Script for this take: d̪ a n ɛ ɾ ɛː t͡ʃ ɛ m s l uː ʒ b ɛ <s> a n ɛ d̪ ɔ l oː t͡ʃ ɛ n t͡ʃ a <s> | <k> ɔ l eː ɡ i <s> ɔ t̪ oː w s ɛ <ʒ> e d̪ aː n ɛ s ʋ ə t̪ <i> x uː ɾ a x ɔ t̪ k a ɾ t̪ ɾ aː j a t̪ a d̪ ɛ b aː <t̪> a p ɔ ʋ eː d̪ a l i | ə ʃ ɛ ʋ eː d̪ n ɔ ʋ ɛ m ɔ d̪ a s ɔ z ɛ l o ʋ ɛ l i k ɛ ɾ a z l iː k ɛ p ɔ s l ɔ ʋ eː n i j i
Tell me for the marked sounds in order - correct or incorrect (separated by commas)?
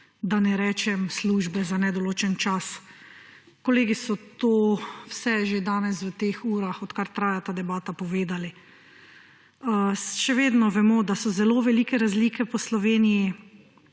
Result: incorrect, correct, correct, correct, correct, incorrect, correct